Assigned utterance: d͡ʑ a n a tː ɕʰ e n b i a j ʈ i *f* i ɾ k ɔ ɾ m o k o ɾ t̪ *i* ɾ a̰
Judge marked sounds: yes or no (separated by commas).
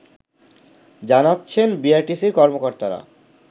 no, no